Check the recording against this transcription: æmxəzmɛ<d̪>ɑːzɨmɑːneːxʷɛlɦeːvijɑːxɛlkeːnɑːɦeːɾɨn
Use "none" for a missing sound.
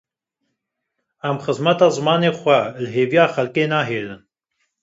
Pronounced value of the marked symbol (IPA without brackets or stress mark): t̪